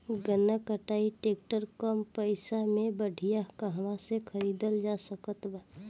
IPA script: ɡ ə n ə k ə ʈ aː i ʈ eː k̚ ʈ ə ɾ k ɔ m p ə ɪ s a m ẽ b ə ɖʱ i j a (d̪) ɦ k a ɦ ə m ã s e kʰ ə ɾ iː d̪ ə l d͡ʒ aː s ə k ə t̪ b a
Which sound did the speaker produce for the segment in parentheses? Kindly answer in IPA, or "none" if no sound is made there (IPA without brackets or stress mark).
none